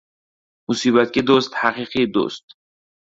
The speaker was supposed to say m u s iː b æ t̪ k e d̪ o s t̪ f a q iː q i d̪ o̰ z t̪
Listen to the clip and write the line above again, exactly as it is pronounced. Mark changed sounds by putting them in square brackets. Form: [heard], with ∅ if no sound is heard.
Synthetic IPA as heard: m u s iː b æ t̪ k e d̪ o s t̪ [h] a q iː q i d̪ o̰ [s] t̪